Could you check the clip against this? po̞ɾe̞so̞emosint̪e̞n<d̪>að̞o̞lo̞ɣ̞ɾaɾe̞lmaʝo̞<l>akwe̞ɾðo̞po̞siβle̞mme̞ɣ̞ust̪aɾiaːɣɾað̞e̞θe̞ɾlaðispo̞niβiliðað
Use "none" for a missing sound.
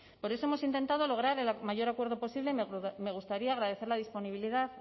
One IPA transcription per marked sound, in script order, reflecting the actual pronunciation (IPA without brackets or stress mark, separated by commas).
t̪, ɾ